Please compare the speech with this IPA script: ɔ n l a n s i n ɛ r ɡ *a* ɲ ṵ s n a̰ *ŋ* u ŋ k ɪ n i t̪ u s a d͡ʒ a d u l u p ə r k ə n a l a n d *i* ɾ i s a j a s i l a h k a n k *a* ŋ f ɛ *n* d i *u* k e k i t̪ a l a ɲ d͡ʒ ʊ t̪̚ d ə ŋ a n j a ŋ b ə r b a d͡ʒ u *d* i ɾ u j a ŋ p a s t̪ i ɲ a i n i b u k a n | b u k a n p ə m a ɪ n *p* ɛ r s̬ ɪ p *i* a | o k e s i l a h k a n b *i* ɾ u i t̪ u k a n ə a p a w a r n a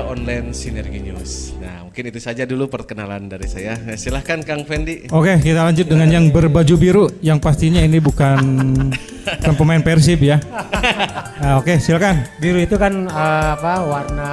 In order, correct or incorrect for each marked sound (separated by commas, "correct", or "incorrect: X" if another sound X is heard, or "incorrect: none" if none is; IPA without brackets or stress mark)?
incorrect: i, incorrect: m, incorrect: a, correct, correct, incorrect: o, incorrect: b, correct, incorrect: j, correct